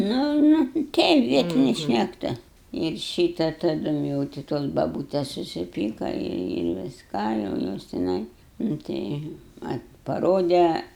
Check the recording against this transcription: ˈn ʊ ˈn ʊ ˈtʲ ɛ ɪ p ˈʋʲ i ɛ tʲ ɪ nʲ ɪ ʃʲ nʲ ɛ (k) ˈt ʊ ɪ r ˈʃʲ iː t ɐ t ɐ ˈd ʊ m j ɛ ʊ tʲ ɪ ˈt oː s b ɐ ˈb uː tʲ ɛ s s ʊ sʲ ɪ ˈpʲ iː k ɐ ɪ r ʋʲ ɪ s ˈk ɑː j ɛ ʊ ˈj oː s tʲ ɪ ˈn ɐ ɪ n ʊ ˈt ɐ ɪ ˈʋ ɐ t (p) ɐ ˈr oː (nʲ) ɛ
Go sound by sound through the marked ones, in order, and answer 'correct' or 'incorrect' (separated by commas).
correct, correct, incorrect